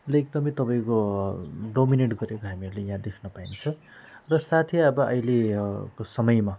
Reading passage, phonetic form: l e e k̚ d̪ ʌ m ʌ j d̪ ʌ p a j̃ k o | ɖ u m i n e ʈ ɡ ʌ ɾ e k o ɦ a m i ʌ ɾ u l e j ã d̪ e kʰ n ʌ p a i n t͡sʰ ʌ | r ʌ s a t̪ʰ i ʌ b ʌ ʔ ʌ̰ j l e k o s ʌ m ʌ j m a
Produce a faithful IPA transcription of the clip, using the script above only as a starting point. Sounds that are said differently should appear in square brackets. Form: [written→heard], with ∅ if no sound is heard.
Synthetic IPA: l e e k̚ d̪ ʌ m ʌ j [d̪→t̪] ʌ p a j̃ k o | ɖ [u→o] m i n e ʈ ɡ ʌ ɾ e k o ɦ a m i ʌ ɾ u l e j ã d̪ e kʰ n ʌ p a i n t͡sʰ ʌ | r ʌ s a t̪ʰ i ʌ b ʌ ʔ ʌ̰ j l e k o s ʌ m ʌ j m a